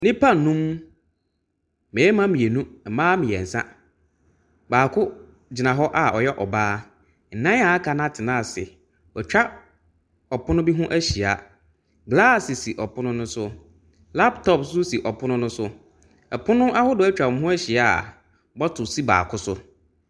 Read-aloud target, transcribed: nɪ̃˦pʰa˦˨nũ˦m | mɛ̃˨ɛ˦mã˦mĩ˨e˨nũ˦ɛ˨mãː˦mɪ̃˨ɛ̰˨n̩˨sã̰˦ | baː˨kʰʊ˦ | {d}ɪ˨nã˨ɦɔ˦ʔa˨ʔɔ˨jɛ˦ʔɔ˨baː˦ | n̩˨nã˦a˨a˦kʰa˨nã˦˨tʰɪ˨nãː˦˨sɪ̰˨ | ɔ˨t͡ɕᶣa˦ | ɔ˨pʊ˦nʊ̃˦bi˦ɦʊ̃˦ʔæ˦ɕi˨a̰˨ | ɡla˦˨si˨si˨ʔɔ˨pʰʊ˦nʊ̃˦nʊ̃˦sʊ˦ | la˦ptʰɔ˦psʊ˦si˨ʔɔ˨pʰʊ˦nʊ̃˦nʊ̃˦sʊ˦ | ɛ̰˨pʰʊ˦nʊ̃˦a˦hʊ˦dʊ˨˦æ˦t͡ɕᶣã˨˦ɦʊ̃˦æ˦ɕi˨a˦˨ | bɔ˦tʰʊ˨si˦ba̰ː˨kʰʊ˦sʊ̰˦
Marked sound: incorrect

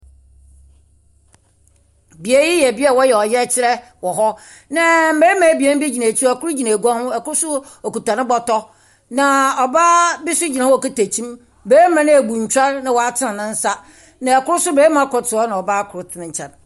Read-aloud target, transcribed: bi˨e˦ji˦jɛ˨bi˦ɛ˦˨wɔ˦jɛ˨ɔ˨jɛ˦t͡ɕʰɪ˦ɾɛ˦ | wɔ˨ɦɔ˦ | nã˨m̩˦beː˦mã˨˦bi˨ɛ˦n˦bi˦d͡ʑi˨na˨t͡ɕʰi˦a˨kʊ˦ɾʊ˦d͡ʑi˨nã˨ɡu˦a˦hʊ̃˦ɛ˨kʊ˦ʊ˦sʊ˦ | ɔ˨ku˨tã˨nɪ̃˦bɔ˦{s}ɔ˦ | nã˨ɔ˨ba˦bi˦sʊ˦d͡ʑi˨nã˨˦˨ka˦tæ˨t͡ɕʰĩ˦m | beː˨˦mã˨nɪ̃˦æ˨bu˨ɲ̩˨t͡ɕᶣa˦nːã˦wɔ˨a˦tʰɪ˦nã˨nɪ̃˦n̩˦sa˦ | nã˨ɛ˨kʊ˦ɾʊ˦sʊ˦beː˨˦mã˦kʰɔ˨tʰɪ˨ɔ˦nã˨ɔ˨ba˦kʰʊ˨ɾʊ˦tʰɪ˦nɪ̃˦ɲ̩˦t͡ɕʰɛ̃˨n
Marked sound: incorrect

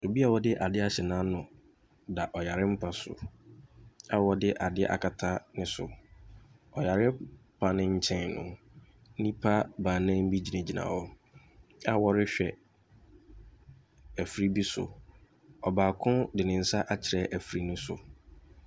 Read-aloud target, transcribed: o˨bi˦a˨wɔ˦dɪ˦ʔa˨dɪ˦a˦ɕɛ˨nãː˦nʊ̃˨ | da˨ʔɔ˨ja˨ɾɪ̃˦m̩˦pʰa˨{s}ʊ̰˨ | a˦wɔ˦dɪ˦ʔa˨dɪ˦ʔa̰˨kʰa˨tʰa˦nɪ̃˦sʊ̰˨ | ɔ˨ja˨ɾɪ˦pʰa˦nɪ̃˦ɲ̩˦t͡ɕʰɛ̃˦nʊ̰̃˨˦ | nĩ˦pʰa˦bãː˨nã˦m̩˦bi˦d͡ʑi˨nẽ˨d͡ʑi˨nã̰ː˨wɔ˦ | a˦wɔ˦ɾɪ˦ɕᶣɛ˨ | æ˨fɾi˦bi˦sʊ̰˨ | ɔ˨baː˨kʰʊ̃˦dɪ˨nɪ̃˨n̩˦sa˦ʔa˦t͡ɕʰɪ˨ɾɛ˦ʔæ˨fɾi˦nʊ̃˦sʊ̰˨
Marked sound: correct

